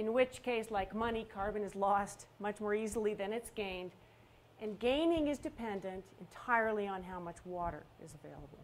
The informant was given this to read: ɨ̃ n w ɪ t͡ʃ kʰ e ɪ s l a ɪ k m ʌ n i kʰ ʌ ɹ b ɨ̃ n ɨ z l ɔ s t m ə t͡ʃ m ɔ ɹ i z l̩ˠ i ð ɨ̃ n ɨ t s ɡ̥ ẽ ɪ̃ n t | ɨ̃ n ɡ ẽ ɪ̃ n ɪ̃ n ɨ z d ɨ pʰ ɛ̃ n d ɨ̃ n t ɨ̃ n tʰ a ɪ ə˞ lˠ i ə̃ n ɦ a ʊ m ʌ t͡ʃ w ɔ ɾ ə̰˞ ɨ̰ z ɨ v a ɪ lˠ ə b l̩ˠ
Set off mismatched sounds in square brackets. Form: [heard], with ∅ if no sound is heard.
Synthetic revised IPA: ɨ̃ n w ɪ t͡ʃ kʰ e ɪ s l a ɪ k m ʌ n i kʰ [ɑ] ɹ b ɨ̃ n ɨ z l ɔ s t m [ʌ] t͡ʃ m ɔ ɹ i z l̩ˠ i ð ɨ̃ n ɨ t s ɡ̥ ẽ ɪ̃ n [d] | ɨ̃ n ɡ ẽ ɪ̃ n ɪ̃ [ŋ] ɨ z d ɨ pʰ ɛ̃ n d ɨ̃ n t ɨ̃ n tʰ a ɪ ə˞ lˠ i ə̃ n ɦ a ʊ m ʌ t͡ʃ w ɔ ɾ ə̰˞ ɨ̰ z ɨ v [e] ɪ lˠ ə b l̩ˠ